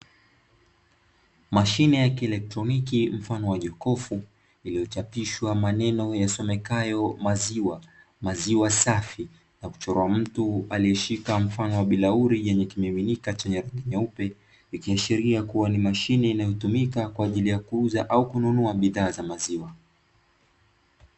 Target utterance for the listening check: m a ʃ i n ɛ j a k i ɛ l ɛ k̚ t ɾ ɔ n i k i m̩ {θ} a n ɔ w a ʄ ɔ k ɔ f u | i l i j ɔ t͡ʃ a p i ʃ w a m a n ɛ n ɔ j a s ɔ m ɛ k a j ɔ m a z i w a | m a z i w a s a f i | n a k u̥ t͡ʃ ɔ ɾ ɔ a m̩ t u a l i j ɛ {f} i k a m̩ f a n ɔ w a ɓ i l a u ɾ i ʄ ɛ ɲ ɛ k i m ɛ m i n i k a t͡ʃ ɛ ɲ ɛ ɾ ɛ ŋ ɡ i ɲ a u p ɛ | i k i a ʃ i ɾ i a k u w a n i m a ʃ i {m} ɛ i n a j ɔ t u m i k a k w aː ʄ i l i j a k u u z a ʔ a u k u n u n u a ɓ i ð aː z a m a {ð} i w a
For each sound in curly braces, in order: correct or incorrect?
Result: incorrect: f, incorrect: ʃ, incorrect: n, incorrect: z

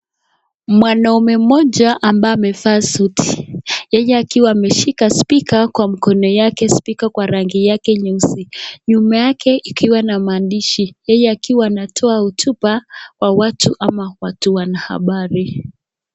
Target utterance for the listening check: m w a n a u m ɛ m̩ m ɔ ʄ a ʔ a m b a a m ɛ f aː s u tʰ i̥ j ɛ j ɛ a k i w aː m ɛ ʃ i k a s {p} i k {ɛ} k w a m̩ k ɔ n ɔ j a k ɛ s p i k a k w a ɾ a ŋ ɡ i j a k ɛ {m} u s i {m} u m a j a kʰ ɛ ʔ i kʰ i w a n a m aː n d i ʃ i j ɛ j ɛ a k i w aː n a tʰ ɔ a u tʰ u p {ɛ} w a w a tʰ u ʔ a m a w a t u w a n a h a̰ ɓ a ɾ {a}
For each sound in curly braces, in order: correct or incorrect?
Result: correct, incorrect: a, incorrect: ɲ, incorrect: ɲ, incorrect: a, incorrect: i

